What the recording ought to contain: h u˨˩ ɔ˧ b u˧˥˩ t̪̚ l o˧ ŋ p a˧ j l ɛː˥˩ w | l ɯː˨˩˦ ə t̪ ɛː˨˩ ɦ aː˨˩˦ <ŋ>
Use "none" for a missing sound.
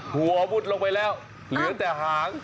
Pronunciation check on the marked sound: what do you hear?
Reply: ŋ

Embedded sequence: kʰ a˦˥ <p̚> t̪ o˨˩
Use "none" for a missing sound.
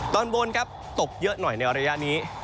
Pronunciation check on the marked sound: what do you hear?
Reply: p̚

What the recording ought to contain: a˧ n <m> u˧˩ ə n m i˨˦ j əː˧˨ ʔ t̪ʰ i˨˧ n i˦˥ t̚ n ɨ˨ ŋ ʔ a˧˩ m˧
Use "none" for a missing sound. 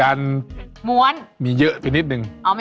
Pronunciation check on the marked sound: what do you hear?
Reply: m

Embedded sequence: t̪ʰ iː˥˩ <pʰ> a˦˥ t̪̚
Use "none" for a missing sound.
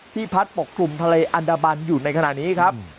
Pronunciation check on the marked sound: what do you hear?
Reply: pʰ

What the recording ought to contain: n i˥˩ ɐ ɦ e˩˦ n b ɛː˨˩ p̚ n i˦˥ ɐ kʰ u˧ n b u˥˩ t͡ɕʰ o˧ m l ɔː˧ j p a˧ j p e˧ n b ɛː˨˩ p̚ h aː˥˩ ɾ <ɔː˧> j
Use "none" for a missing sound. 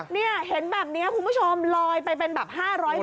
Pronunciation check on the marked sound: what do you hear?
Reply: ɔː˦˥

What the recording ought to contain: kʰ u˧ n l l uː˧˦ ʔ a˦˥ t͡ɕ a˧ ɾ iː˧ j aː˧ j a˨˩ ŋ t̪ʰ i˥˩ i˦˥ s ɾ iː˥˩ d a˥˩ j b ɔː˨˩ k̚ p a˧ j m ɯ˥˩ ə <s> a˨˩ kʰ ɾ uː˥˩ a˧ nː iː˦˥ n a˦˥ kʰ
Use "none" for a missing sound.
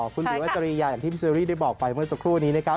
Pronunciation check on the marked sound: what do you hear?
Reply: s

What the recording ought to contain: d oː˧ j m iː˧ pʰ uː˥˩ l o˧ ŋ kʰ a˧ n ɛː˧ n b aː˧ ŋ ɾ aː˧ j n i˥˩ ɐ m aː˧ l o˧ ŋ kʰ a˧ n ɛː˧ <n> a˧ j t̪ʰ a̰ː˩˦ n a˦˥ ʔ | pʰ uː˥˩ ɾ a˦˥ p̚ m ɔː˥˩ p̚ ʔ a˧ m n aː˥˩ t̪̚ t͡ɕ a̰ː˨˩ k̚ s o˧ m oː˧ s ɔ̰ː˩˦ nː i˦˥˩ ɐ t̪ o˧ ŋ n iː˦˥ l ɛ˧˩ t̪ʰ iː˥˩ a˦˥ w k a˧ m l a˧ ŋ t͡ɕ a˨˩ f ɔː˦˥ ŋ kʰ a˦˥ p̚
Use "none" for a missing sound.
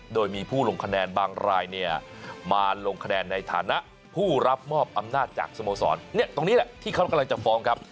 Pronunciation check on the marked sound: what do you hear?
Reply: nː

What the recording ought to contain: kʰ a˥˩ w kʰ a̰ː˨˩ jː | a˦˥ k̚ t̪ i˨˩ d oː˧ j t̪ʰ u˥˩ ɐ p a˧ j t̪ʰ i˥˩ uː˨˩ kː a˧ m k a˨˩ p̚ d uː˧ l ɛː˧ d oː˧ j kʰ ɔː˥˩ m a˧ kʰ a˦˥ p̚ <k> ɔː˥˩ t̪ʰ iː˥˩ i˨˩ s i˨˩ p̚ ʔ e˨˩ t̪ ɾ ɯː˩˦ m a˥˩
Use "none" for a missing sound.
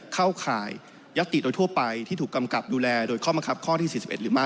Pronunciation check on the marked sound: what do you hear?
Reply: kʰ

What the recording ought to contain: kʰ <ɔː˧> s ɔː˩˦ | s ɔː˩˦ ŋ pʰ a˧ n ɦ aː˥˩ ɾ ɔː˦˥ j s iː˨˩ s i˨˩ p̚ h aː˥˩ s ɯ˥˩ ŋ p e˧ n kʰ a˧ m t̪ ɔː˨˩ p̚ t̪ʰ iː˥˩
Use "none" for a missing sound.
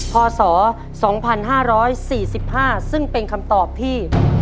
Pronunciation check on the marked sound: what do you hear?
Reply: ɔː˧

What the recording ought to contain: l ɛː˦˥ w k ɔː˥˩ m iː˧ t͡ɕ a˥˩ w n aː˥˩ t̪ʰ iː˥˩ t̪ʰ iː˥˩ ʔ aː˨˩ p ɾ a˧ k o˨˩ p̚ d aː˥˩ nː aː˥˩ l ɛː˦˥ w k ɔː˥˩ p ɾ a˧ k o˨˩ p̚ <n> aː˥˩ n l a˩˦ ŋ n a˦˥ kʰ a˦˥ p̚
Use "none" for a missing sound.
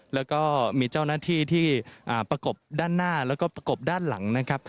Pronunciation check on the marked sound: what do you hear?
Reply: d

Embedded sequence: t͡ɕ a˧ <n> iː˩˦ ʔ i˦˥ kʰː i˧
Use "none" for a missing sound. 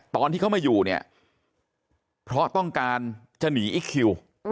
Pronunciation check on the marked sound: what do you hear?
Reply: n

